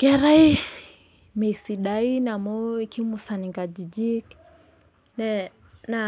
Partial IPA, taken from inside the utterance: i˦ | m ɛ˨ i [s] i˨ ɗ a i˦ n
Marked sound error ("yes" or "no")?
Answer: no